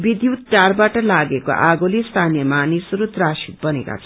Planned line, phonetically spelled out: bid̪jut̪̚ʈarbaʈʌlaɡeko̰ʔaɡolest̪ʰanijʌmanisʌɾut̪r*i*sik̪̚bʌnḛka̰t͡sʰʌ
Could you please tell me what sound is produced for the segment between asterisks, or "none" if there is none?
a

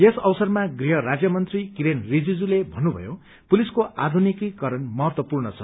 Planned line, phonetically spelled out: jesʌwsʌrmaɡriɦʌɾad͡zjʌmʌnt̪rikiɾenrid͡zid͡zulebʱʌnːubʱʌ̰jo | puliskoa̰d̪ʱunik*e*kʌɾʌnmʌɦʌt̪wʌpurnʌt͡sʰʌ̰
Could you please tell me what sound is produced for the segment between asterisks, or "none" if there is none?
i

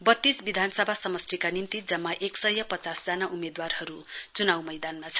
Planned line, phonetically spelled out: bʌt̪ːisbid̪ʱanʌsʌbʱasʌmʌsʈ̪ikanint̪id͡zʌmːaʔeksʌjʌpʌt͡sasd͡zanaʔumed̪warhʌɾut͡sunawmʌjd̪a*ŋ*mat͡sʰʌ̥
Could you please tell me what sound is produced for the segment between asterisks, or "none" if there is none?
n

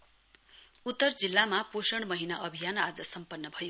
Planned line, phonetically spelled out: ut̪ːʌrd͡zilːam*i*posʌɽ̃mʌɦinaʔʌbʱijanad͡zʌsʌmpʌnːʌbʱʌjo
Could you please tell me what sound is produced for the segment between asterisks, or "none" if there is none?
a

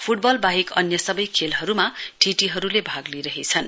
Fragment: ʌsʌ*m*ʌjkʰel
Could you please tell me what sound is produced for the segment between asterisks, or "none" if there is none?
b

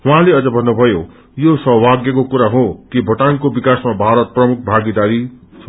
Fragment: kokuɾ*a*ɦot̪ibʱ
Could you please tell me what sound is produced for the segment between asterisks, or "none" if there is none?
a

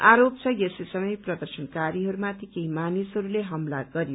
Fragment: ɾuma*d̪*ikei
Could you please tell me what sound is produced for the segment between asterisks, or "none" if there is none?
t̪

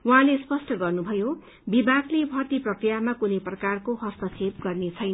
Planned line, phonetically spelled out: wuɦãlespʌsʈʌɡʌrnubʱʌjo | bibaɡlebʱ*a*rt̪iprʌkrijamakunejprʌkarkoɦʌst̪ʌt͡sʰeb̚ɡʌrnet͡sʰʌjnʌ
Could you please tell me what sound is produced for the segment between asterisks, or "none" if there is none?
ʌ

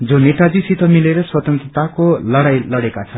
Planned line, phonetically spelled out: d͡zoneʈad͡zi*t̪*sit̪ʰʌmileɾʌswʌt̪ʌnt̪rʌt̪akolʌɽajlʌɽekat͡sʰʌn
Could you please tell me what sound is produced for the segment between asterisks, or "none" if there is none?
none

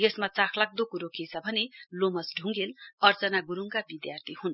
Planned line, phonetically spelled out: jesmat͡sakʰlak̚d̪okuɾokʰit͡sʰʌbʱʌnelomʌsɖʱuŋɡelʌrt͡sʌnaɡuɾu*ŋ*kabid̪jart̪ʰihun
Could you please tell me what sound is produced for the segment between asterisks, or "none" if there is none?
ŋ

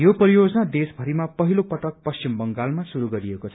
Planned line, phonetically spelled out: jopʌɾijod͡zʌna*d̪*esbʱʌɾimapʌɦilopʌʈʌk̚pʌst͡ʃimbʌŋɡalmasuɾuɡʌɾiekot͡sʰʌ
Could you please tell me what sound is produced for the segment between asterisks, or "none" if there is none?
d̪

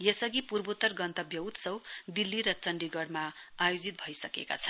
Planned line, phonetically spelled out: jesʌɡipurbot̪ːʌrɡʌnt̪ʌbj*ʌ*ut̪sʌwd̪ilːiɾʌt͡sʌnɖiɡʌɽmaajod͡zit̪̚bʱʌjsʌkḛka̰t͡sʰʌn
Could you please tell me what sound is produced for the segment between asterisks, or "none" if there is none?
ʌ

